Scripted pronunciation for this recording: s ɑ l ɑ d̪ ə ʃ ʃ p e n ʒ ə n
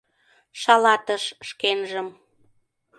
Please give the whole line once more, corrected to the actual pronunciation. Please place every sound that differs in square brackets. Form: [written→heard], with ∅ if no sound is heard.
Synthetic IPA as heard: [s→ʃ] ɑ l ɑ [d̪→t̪] ə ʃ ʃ [p→k] e n ʒ ə [n→m]